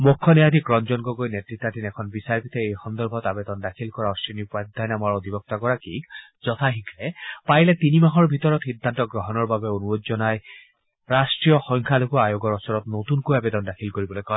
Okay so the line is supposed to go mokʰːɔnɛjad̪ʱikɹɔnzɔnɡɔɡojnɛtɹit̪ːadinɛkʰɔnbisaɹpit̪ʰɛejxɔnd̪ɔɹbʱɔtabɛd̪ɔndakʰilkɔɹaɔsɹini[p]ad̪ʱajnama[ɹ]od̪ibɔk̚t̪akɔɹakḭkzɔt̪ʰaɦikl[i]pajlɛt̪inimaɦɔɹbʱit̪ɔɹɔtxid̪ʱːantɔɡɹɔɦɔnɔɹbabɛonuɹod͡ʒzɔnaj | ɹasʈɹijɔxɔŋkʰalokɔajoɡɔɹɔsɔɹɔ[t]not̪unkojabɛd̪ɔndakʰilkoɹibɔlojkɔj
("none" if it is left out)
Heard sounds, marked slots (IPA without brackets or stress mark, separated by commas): p, ɹ, ɛ, t